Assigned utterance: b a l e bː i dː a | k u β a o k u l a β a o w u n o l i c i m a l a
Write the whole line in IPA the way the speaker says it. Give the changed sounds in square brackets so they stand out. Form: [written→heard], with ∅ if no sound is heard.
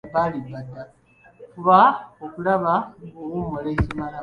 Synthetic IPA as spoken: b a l [e→i] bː [i→a] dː a | k u β a o k u l a β a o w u [n→m] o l [i→e] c i m a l a